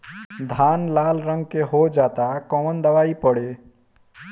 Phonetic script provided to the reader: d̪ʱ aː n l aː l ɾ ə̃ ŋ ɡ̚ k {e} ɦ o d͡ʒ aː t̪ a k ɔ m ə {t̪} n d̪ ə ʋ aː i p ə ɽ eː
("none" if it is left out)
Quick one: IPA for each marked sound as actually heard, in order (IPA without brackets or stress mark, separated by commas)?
e, none